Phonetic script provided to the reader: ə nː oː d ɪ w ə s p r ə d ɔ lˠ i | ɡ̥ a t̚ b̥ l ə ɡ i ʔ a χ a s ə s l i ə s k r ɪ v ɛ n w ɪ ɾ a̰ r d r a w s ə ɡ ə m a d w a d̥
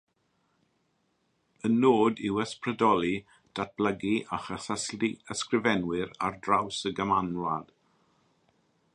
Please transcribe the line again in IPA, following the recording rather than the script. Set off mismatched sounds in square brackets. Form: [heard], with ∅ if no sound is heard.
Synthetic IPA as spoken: ə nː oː d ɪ w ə s p r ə d ɔ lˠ i | [d̥] a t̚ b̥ l ə ɡ i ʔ a χ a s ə s l i ə s k r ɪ v ɛ n w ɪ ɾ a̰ r d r a w s ə ɡ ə m a [n] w a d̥